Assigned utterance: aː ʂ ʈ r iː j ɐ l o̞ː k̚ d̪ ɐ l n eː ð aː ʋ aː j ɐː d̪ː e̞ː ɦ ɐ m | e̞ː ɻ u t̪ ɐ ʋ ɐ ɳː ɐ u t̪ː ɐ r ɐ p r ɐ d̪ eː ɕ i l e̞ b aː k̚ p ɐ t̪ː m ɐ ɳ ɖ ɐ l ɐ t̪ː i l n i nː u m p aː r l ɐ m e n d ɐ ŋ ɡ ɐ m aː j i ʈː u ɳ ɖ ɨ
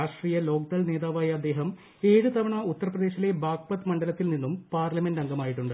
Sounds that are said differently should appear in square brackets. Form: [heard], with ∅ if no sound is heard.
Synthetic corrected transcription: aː ʂ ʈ r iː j ɐ l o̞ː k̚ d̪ ɐ l n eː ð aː ʋ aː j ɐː d̪ː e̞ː ɦ ɐ m | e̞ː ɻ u t̪ ɐ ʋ ɐ [ɳ] ɐ u t̪ː ɐ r ɐ p r ɐ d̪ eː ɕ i l e̞ b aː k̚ p ɐ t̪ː m ɐ ɳ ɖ ɐ l ɐ t̪ː i l n i nː u m p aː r l ɐ m e n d ɐ ŋ ɡ ɐ m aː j i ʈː u ɳ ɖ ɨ